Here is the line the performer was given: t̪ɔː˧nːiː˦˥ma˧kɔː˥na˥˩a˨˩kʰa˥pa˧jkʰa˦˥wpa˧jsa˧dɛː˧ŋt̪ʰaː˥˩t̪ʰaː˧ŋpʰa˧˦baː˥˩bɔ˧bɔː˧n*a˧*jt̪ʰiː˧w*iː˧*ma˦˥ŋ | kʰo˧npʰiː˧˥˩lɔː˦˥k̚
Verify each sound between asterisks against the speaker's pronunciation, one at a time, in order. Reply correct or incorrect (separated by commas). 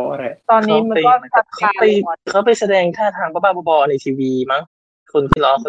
correct, correct